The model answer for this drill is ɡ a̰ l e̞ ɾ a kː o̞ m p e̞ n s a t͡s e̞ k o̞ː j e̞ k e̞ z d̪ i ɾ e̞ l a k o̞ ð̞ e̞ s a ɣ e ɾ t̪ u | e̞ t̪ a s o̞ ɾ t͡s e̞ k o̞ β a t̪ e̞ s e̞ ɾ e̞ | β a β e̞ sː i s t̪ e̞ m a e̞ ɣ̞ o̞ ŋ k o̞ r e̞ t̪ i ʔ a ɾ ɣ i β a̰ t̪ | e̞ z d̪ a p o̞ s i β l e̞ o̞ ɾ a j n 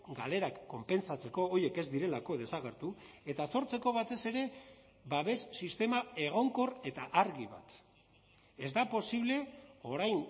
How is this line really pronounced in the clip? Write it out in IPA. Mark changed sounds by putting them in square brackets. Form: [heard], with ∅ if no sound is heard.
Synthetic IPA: ɡ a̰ l e̞ ɾ a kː o̞ m p e̞ n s a t͡s e̞ k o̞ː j e̞ k e̞ z d̪ i ɾ e̞ l a k o̞ ð̞ e̞ s a ɣ e ɾ t̪ u | e̞ t̪ a s o̞ ɾ t͡s e̞ k o̞ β a t̪ e̞ s e̞ ɾ e̞ | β a β e̞ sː i s t̪ e̞ m a e̞ ɣ̞ o̞ ŋ k o̞ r e̞ t̪ [a] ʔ a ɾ ɣ i β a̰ t̪ | e̞ z d̪ a p o̞ s i β l e̞ o̞ ɾ a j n